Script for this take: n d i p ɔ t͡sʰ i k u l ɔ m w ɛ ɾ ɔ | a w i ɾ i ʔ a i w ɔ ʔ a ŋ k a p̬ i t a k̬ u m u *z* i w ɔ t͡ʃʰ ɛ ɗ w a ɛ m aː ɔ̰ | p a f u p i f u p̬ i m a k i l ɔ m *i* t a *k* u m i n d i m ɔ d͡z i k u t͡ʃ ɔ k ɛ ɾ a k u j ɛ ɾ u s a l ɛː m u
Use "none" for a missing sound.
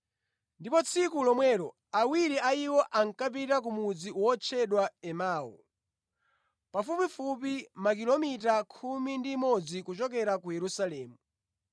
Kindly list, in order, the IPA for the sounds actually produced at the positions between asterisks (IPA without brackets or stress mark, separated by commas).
d͡z, i, kʰ